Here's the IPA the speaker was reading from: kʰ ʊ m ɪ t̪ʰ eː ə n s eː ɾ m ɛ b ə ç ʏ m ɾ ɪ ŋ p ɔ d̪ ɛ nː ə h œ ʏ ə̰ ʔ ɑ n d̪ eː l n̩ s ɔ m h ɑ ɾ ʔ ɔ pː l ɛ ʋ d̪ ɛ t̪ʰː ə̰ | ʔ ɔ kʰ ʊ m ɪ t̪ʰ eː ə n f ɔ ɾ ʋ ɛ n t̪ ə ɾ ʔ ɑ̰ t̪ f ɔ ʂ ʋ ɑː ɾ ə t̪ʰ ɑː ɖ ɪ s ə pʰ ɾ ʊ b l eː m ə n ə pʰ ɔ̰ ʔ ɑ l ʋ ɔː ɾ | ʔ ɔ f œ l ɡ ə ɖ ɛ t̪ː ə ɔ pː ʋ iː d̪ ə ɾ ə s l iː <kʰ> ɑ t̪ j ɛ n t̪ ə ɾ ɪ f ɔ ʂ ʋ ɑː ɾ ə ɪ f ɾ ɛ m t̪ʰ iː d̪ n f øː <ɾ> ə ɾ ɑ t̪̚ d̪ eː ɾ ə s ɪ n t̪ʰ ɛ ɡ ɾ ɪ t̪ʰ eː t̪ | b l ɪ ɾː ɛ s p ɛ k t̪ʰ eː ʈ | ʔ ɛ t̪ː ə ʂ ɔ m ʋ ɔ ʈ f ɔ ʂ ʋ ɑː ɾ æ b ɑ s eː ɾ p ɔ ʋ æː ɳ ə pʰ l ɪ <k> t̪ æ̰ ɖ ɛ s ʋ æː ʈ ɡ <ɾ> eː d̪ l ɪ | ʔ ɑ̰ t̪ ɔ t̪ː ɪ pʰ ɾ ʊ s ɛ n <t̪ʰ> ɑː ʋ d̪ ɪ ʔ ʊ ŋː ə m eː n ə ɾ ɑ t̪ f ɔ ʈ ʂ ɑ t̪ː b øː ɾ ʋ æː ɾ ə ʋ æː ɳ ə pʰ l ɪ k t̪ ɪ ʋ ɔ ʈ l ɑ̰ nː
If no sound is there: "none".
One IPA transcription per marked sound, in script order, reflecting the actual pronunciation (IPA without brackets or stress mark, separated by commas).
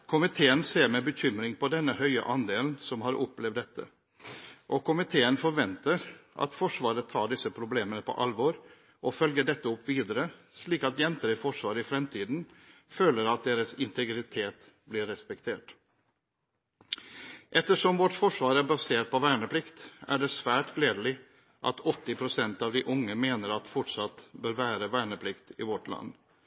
k, l, k, l, t̪